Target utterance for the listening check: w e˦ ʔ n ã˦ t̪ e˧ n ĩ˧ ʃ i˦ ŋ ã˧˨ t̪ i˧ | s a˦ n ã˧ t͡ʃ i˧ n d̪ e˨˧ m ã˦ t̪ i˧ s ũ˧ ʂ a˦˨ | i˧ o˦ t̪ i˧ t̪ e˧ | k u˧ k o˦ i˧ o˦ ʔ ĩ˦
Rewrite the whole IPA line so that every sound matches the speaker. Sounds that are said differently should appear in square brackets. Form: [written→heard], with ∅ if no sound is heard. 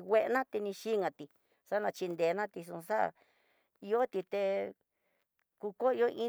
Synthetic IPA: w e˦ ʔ n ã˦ t̪ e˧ n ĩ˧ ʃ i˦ ŋ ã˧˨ t̪ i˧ | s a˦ n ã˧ t͡ʃ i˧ n d̪ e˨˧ [m→n] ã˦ t̪ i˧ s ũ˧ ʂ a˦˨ | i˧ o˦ t̪ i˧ t̪ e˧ | k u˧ k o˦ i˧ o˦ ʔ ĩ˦